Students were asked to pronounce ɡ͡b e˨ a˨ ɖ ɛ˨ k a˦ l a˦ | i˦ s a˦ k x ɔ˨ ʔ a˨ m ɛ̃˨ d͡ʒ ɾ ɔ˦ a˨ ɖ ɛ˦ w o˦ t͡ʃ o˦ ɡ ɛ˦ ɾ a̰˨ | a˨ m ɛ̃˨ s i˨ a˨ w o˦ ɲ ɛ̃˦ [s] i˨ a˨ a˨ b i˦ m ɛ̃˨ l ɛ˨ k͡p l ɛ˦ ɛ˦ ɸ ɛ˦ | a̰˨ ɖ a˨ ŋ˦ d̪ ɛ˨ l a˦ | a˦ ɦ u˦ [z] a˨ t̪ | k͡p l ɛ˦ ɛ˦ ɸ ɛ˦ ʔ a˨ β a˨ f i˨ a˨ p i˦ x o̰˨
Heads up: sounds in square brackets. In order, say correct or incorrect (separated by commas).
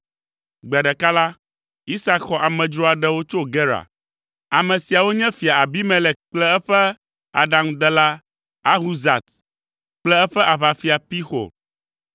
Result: incorrect, correct